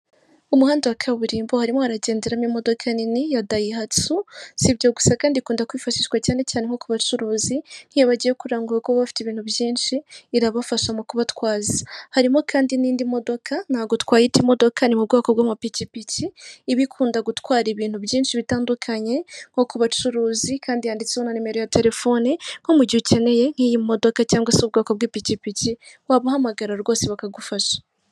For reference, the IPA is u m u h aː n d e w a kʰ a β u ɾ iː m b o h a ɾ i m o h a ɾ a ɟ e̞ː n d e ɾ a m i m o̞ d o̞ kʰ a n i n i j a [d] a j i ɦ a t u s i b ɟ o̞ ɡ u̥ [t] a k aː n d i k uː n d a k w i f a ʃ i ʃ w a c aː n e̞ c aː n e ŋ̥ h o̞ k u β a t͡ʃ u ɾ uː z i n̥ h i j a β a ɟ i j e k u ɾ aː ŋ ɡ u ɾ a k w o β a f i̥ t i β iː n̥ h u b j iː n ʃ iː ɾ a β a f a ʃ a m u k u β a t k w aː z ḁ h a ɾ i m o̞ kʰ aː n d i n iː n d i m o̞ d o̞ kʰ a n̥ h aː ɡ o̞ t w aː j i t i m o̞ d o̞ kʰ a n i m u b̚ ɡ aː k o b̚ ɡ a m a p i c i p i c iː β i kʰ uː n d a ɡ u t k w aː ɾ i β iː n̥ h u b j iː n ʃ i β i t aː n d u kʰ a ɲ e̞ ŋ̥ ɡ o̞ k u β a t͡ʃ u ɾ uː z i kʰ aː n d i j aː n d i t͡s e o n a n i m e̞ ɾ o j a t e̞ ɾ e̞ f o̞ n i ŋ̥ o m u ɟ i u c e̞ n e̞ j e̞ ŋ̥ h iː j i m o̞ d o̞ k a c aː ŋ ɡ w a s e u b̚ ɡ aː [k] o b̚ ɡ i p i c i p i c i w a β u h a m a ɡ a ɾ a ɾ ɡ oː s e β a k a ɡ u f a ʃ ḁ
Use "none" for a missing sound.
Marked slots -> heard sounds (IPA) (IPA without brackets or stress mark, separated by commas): d, s, k